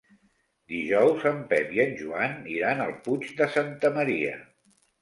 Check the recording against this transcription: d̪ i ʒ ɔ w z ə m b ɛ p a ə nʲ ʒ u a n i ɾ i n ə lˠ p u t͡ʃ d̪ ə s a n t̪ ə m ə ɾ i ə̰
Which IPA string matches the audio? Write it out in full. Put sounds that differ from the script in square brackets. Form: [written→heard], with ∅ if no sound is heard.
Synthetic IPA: d̪ i ʒ ɔ w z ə m [b→p] ɛ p [a→i] ə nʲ ʒ u a n i ɾ [i→a] n ə lˠ p u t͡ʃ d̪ ə s a n t̪ ə m ə ɾ i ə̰